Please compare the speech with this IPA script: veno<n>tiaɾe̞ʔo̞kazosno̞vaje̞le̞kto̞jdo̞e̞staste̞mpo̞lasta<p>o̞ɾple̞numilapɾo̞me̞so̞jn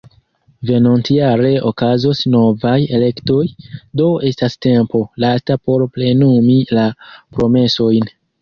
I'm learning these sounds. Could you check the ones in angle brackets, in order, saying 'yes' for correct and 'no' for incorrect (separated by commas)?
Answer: yes, yes